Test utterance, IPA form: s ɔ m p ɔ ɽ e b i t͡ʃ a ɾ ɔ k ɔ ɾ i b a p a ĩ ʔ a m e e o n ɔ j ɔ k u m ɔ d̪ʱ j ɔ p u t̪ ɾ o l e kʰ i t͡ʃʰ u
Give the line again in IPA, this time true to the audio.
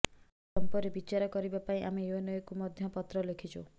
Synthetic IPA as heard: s ɔ m p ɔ ɾ e b i t͡ʃ a ɾ ɔ k ɔ ɾ i b a p a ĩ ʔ a m e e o n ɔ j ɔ k u m ɔ d̪ʱ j ɔ p ɔ t̪ ɾ ɔ l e kʰ i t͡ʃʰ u

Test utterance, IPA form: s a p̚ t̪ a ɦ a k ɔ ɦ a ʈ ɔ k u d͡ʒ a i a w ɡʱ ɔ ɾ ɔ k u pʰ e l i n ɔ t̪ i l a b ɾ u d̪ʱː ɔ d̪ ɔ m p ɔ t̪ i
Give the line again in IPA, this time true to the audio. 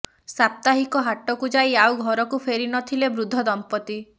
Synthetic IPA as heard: s a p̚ t̪ a ɦ i k ɔ ɦ a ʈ ɔ k u d͡ʒ a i a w ɡʱ ɔ ɾ ɔ k u pʰ e ɾ i n ɔ t̪ʰ i l e b ɾ u d̪ʱː ɔ d̪ ɔ m p ɔ t̪ i

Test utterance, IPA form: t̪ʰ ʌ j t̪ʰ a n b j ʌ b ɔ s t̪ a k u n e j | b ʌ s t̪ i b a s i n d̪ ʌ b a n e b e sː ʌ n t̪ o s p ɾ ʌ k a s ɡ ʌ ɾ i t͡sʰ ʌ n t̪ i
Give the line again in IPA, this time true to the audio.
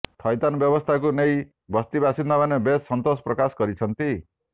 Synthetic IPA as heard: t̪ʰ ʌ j t̪ a n b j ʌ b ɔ s t̪ʰ a k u n e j | b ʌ s t̪ i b a s i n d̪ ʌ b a n e b e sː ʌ n t̪ o s p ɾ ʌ k a s ɡ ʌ ɾ i t͡sʰ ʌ n t̪ i

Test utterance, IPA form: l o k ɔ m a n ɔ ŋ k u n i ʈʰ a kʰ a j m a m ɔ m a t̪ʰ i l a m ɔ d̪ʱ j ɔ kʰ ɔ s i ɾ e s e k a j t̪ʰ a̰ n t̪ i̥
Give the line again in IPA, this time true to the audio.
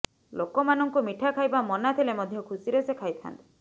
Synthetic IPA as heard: l o k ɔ m a n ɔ ŋ k u m i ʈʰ a kʰ a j b a m ɔ n a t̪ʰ i l e m ɔ d̪ʱ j ɔ kʰ u s i ɾ e s e kʰ a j t̪ʰ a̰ n t̪ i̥

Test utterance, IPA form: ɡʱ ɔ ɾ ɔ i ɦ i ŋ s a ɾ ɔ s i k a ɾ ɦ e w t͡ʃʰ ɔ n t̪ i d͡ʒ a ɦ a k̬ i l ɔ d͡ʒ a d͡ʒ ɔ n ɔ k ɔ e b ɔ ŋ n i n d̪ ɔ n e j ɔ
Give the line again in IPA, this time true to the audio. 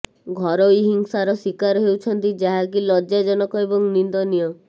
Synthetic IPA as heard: ɡʱ ɔ ɾ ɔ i ɦ i ŋ s a ɾ ɔ s i k a ɾ ɦ e w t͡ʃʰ ɔ n t̪ i d͡ʒ a ɦ a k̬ i l ɔ d͡ʒ a d͡ʒ ɔ n ɔ k ɔ e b ɔ ŋ n i n d̪ ɔ n i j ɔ

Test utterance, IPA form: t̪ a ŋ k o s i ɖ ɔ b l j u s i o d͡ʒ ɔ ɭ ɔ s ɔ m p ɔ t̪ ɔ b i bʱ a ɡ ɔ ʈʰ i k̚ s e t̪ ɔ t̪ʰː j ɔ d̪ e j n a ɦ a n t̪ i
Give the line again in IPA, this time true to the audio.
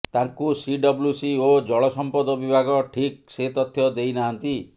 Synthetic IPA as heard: t̪ a ŋ k u s i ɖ ɔ b l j u s i o d͡ʒ ɔ ɭ ɔ s ɔ m p ɔ d̪ ɔ b i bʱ a ɡ ɔ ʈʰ i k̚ s e t̪ ɔ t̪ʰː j ɔ d̪ e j n a ɦ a n t̪ i

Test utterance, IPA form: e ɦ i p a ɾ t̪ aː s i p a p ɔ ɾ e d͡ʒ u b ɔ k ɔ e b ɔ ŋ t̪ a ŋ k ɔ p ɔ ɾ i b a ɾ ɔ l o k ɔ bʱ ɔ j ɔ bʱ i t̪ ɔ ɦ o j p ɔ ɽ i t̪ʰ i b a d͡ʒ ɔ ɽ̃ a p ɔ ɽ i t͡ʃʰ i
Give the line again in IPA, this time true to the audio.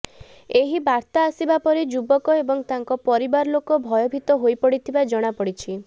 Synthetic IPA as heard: e ɦ i b a ɾ t̪ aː s i b a p ɔ ɾ e d͡ʒ u b ɔ k ɔ e b ɔ ŋ t̪ a ŋ k ɔ p ɔ ɾ i b a ɾ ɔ l o k ɔ bʱ ɔ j ɔ bʱ i t̪ ɔ ɦ o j p ɔ ɽ i t̪ʰ i b a d͡ʒ ɔ ɽ̃ a p ɔ ɽ i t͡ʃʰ i

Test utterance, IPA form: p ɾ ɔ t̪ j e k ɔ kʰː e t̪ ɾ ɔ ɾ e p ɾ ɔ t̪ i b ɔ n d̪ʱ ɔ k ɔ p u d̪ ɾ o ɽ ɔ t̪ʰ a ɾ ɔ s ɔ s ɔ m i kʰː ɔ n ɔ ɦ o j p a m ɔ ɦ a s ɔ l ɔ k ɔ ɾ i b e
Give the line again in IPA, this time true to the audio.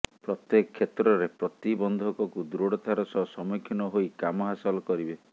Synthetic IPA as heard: p ɾ ɔ t̪ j e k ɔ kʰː e t̪ ɾ ɔ ɾ e p ɾ ɔ t̪ i b ɔ n d̪ʱ ɔ k ɔ k u d̪ ɾ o ɽ ɔ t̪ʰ a ɾ ɔ s ɔ s ɔ m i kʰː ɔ n ɔ ɦ o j k a m ɔ ɦ a s ɔ l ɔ k ɔ ɾ i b e

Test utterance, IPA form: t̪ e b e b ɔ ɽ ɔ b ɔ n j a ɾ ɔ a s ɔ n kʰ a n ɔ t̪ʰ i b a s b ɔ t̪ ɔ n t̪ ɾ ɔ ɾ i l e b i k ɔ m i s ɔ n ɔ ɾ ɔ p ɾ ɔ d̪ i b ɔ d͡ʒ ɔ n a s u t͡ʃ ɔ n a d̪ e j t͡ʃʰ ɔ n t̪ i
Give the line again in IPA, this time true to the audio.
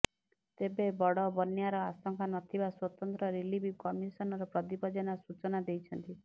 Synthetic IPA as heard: t̪ e b e b ɔ ɽ ɔ b ɔ n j a ɾ ɔ a s ɔ ŋ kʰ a n ɔ t̪ʰ i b a s w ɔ t̪ ɔ n t̪ ɾ ɔ ɾ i l i b i k ɔ m i s ɔ n ɔ ɾ ɔ p ɾ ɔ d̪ i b ɔ d͡ʒ ɔ n a s u t͡ʃ ɔ n a d̪ e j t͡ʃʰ ɔ n t̪ i

